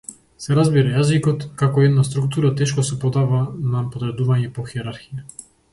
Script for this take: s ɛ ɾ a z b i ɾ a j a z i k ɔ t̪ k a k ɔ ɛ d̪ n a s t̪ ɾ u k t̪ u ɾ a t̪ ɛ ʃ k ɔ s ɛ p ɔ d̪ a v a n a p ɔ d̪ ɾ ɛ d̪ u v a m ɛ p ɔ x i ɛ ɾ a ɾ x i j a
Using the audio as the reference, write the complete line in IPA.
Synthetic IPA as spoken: s ɛ ɾ a z b i ɾ a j a z i k ɔ t̪ k a k ɔ ɛ d̪ n a s t̪ ɾ u k t̪ u ɾ a t̪ ɛ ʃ k ɔ s ɛ p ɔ d̪ a v a n a p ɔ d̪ ɾ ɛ d̪ u v a ɲ ɛ p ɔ x i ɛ ɾ a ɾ x i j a

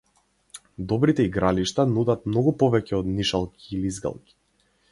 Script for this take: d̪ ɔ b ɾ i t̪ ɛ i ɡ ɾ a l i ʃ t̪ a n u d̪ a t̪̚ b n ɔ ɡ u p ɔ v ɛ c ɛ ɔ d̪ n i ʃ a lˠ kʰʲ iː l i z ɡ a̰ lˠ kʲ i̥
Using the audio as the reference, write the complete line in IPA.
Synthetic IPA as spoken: d̪ ɔ b ɾ i t̪ ɛ i ɡ ɾ a l i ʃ t̪ a n u d̪ a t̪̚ m n ɔ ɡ u p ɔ v ɛ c ɛ ɔ d̪ n i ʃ a lˠ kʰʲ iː l i z ɡ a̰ lˠ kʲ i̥

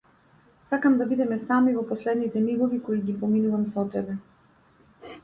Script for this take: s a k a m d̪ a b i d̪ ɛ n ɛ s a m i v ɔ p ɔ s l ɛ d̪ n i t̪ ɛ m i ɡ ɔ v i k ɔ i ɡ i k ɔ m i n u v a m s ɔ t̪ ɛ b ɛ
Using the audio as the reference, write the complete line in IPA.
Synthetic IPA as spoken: s a k a m d̪ a b i d̪ ɛ m ɛ s a m i v ɔ p ɔ s l ɛ d̪ n i t̪ ɛ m i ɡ ɔ v i k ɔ i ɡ i p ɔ m i n u v a m s ɔ t̪ ɛ b ɛ

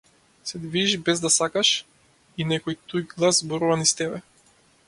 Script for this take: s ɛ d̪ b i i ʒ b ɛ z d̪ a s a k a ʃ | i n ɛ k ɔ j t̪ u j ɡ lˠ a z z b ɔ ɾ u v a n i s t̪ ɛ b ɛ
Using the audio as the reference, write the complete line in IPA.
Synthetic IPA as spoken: s ɛ d̪ v i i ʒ b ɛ z d̪ a s a k a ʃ | i n ɛ k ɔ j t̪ u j ɡ lˠ a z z b ɔ ɾ u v a n i s t̪ ɛ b ɛ

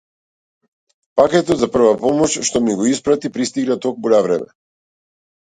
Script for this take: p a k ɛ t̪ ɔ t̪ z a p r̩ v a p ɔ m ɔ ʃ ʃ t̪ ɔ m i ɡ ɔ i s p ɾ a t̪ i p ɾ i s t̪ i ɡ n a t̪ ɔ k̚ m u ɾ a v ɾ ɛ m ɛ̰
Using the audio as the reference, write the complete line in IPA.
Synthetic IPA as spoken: p a k ɛ t̪ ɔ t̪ z a p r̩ v a p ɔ m ɔ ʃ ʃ t̪ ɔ m i ɡ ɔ i s p ɾ a t̪ i p ɾ i s t̪ i ɡ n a t̪ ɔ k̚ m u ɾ a v ɾ ɛ m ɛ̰

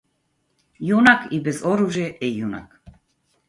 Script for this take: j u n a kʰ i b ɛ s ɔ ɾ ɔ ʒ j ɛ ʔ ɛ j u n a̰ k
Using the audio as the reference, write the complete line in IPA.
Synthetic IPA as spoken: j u n a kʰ i b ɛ z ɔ ɾ u ʒ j ɛ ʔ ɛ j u n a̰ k

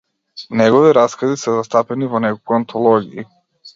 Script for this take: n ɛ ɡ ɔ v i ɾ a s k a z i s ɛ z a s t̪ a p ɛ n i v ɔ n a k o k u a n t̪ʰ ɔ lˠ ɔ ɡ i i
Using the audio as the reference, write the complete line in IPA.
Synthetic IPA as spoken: n ɛ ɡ ɔ v i ɾ a s k a z i s ɛ z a s t̪ a p ɛ n i v ɔ n ɛ k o k u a n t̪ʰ ɔ lˠ ɔ ɡ i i

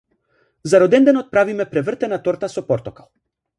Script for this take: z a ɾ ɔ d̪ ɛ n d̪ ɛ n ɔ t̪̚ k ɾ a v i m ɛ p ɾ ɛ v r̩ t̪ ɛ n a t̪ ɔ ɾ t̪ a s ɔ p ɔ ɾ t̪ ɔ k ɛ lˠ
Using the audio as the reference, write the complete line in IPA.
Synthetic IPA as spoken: z a ɾ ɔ d̪ ɛ n d̪ ɛ n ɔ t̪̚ p ɾ a v i m ɛ p ɾ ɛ v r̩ t̪ ɛ n a t̪ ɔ ɾ t̪ a s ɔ p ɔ ɾ t̪ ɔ k a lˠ

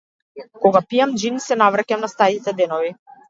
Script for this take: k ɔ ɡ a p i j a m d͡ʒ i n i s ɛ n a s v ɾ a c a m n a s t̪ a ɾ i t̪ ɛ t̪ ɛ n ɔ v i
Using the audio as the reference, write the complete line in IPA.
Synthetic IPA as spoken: k ɔ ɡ a p i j a m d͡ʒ i n i s ɛ n a v ɾ a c a m n a s t̪ a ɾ i t̪ ɛ d̪ ɛ n ɔ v i

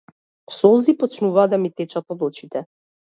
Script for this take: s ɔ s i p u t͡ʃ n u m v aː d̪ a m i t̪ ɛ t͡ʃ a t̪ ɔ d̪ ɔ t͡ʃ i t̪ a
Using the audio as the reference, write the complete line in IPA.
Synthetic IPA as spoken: s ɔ z i p ɔ t͡ʃ n u v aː d̪ a m i t̪ ɛ t͡ʃ a t̪ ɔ d̪ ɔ t͡ʃ i t̪ ɛ

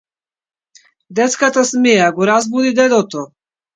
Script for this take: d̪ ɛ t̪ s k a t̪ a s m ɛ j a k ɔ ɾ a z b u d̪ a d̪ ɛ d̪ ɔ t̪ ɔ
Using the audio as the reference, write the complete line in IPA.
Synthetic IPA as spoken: d̪ ɛ t̪ s k a t̪ a s m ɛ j a ɡ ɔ ɾ a z b u d̪ i d̪ ɛ d̪ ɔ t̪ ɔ

